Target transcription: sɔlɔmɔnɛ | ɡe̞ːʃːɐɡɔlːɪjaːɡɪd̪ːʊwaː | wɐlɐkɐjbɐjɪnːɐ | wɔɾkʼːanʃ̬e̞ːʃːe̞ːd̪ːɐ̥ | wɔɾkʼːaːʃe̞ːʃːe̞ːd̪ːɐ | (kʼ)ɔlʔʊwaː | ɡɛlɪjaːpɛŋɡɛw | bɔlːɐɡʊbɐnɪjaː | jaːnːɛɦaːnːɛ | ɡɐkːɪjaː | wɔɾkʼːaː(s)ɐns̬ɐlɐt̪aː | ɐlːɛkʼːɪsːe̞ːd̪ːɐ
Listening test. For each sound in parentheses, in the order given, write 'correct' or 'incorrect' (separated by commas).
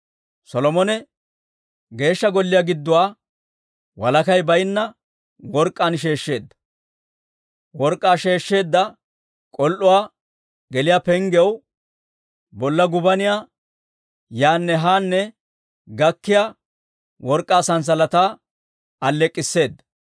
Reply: correct, correct